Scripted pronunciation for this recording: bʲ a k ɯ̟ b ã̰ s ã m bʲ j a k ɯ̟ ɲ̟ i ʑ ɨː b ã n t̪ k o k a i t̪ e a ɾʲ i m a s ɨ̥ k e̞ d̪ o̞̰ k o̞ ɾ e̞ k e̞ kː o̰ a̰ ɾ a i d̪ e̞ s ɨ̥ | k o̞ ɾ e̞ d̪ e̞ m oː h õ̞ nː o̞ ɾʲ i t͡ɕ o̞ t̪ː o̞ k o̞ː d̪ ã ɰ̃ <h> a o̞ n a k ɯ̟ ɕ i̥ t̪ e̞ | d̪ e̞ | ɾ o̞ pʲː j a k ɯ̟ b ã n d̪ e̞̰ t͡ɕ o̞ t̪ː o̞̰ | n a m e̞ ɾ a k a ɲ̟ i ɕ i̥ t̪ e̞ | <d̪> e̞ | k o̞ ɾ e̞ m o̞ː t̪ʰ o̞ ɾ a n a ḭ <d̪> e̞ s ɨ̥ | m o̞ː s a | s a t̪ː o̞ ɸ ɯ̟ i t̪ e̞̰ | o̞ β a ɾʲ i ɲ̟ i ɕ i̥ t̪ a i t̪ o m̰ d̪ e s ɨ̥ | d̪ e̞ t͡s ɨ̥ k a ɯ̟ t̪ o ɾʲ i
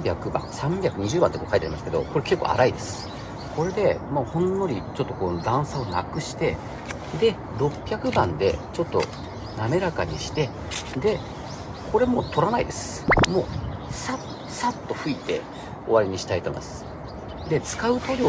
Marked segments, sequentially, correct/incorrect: incorrect: s, correct, correct

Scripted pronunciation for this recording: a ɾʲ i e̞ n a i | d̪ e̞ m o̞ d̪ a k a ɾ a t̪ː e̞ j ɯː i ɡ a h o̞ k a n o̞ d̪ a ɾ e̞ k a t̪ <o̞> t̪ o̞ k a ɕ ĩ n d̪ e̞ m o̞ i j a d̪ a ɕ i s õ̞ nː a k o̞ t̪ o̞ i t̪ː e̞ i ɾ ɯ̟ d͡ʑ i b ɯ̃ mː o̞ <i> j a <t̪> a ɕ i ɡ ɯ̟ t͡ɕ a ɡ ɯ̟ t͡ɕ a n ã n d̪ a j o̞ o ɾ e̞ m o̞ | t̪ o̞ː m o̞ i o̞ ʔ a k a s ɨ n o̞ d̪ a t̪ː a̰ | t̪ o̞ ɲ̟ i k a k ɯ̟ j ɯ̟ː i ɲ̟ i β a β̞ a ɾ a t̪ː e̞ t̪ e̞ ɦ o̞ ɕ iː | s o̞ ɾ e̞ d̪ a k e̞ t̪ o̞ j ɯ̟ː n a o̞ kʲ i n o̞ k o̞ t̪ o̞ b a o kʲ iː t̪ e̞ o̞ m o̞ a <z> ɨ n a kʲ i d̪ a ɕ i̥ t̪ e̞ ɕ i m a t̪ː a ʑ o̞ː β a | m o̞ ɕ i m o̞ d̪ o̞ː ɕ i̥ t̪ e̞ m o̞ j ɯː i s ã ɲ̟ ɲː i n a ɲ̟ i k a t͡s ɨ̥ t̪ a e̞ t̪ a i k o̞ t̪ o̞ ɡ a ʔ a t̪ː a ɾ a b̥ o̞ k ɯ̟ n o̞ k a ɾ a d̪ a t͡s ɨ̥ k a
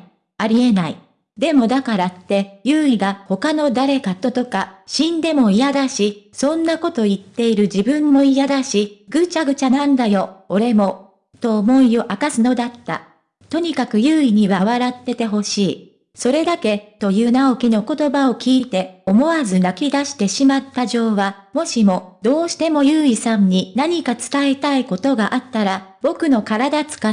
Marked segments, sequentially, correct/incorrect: correct, correct, incorrect: d̪, correct

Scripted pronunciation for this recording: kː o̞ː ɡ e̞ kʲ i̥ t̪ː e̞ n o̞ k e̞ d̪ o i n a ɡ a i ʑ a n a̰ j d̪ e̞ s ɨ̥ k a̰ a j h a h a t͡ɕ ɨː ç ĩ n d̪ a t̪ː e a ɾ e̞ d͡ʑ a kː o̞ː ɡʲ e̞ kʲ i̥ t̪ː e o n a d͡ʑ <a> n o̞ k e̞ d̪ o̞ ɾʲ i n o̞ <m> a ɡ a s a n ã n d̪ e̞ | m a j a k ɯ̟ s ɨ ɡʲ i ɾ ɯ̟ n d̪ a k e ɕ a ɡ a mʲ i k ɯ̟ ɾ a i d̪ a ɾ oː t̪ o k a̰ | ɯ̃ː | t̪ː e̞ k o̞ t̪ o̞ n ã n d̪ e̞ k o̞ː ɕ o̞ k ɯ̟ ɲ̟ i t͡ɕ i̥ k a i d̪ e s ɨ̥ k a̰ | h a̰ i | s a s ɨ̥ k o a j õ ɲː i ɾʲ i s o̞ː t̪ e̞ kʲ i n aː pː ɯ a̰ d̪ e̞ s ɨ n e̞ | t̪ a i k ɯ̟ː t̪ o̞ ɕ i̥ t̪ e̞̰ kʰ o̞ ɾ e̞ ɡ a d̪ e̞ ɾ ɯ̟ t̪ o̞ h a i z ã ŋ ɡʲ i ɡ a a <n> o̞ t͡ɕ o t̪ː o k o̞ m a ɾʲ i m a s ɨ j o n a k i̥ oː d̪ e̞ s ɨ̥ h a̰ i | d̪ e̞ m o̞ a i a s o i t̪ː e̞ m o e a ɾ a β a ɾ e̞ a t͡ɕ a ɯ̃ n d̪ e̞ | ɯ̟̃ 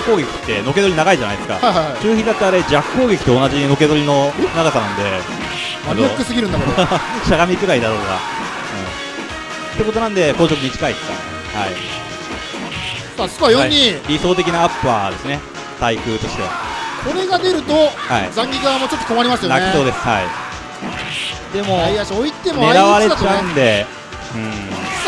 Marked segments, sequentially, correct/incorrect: incorrect: i, incorrect: n, incorrect: m

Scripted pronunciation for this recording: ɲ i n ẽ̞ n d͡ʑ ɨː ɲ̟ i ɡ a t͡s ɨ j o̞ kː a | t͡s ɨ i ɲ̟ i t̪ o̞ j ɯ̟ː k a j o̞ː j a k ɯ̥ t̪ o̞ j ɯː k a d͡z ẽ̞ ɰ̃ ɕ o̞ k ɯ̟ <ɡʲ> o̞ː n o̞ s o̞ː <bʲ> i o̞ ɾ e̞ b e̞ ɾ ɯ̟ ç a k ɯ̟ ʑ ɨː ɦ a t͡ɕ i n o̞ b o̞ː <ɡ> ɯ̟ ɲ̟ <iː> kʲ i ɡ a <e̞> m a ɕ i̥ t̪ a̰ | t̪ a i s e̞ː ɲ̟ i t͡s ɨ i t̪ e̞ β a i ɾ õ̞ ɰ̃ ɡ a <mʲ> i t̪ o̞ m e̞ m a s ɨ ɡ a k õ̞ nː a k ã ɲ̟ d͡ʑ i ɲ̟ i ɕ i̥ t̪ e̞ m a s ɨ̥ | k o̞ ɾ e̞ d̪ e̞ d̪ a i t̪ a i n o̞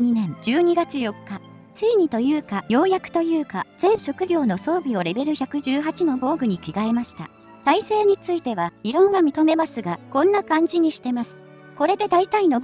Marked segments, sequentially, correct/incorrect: correct, correct, correct, incorrect: i, correct, correct

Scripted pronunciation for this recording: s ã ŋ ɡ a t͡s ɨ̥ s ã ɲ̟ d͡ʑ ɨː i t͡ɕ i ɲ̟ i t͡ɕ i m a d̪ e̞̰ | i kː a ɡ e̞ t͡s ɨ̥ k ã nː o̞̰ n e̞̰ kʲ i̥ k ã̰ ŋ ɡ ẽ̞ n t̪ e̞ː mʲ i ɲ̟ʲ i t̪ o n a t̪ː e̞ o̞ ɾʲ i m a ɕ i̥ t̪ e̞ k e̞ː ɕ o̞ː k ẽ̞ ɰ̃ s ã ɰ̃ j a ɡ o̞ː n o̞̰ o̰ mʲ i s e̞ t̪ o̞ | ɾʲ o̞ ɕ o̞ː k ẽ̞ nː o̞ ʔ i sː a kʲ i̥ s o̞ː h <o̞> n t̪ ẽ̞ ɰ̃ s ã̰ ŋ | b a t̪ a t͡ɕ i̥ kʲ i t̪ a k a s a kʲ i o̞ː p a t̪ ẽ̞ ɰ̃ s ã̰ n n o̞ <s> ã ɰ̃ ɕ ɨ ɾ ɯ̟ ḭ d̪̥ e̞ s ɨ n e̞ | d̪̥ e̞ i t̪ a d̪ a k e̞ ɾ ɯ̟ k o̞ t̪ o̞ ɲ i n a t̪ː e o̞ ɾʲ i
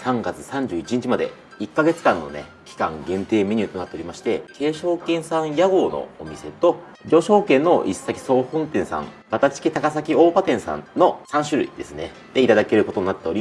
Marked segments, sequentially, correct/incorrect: incorrect: õ̞, correct

